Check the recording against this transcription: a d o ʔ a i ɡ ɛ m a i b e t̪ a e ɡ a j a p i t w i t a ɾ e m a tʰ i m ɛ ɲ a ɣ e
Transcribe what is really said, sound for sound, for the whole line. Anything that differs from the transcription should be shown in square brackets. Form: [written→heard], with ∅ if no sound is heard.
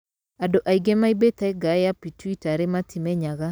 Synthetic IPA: a d o ʔ a i ɡ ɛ m a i b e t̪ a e ɡ a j a p i t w i t a ɾ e m a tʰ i m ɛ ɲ a ɣ [e→a]